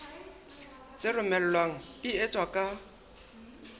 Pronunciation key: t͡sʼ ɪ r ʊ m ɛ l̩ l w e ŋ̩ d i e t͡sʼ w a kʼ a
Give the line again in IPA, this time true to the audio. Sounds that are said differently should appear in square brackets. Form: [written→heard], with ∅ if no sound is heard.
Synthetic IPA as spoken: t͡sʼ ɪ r ʊ m ɛ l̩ l w [e→a] ŋ̩ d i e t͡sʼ w a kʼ a

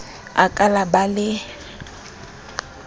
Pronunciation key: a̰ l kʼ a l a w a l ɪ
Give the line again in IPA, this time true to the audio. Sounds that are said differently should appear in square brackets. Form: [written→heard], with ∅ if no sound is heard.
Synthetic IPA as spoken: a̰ [l→∅] kʼ a l a [w→b] a l ɪ

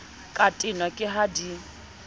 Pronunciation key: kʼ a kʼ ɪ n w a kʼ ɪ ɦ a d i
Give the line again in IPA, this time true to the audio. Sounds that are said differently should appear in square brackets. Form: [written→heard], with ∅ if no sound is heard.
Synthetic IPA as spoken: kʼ a [kʼ→tʼ] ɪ n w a kʼ ɪ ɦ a d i

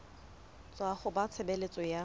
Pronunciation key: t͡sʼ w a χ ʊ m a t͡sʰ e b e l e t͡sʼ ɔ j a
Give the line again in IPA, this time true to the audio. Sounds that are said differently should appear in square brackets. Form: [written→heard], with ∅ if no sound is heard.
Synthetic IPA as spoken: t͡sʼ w a χ ʊ [m→b] a t͡sʰ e b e l e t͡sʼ ɔ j a

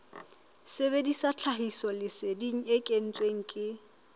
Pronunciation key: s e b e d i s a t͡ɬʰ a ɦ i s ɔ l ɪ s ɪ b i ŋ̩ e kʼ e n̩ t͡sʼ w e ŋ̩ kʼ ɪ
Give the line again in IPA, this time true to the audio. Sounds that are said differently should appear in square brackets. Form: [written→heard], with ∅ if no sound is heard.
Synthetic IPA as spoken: s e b e d i s a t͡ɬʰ a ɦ i s ɔ l ɪ s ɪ [b→d] i ŋ̩ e kʼ e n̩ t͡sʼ w e ŋ̩ kʼ ɪ

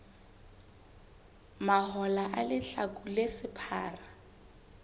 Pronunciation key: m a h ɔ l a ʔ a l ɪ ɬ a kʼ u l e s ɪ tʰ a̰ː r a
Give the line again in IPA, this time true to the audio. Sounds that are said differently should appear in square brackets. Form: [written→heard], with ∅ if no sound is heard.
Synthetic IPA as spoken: m a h ɔ l a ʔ a l ɪ ɬ a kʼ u l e s ɪ [tʰ→pʰ] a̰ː r a

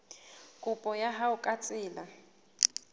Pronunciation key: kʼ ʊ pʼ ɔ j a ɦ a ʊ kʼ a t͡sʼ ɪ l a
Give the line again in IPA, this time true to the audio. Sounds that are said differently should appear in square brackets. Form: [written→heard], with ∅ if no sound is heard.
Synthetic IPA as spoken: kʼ ʊ pʼ ɔ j a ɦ a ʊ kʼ a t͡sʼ [ɪ→ɪː] l a

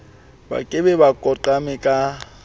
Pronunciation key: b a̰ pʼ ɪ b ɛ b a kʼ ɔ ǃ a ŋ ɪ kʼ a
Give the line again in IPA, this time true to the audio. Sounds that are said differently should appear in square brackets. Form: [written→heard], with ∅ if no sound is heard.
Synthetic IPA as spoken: b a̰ [pʼ→kʼ] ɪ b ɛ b a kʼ ɔ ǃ a [ŋ→m] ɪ kʼ a

